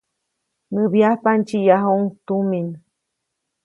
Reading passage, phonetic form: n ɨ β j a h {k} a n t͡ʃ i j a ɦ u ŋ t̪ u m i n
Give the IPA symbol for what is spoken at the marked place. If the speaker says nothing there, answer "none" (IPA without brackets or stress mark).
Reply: p